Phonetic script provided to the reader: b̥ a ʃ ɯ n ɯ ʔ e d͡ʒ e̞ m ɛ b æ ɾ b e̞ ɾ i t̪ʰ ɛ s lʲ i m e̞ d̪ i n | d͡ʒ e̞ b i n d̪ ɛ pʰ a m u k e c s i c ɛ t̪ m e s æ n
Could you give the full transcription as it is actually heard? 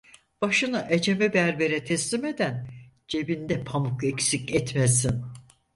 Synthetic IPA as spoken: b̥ a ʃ ɯ n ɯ ʔ e d͡ʒ e̞ m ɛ b æ ɾ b e̞ ɾ ɛ t̪ʰ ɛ s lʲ i m e̞ d̪ æ n | d͡ʒ e̞ b i n d̪ ɛ pʰ a m u k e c s i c ɛ t̪ m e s i n